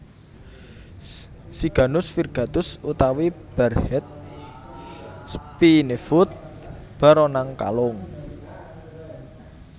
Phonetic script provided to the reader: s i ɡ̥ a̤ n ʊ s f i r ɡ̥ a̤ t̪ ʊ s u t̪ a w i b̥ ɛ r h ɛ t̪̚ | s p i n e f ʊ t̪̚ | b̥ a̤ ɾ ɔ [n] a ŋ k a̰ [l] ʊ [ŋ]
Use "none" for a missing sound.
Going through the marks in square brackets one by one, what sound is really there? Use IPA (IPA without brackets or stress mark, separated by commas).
n, l, ŋ